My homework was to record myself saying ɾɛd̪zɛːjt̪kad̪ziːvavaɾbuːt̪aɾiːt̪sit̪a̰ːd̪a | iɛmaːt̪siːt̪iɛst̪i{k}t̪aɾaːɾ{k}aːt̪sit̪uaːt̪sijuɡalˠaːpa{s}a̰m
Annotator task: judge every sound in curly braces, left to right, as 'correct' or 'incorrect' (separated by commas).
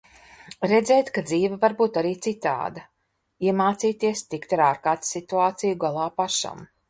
correct, correct, incorrect